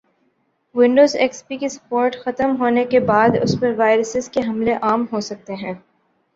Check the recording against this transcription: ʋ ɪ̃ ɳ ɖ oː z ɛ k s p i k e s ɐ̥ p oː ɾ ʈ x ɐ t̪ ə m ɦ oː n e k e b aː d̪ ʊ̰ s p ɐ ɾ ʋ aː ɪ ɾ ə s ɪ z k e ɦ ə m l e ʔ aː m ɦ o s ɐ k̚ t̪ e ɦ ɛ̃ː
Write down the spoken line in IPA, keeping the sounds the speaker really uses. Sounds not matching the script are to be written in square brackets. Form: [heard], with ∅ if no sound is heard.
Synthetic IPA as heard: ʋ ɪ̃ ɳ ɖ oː z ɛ k s p i k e s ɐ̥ p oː ɾ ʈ x ɐ t̪ ə m ɦ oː n e k e b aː d̪ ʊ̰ s p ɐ ɾ ʋ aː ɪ ɾ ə s ɪ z k e ɦ [ɐ] m l e ʔ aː m ɦ o s ɐ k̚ t̪ e ɦ ɛ̃ː